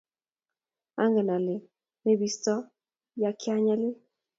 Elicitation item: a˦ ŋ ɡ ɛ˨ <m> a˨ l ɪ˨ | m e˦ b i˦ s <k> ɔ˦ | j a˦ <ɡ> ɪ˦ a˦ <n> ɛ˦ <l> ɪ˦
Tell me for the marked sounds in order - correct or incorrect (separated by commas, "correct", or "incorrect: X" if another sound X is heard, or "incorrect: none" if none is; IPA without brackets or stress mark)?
incorrect: n, incorrect: t, incorrect: k, incorrect: ɲ, correct